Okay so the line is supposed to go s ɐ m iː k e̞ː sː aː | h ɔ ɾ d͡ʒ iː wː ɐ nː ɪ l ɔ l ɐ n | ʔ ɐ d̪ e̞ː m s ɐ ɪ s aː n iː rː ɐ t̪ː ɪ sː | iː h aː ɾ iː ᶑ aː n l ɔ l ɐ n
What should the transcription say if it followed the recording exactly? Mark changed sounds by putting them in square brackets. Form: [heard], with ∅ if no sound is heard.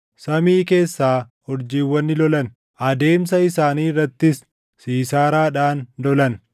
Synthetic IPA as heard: s ɐ m iː k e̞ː sː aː | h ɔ ɾ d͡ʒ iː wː ɐ nː ɪ l ɔ l ɐ n | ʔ ɐ d̪ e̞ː m s ɐ ɪ s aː n iː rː ɐ t̪ː ɪ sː | iː [s] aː ɾ [aː] ᶑ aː n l ɔ l ɐ n